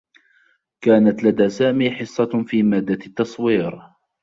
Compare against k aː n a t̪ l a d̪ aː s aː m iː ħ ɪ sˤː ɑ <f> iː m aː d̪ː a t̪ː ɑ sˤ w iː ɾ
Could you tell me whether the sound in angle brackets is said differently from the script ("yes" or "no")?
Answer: no